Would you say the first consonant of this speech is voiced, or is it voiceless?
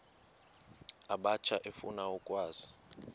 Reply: voiced